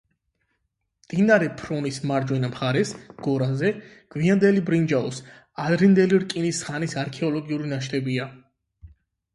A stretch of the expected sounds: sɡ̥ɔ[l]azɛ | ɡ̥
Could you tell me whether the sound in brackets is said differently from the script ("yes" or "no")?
yes